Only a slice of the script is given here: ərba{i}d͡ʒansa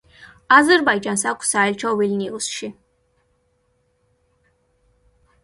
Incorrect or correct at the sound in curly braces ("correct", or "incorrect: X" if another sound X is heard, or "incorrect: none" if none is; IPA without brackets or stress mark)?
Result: incorrect: j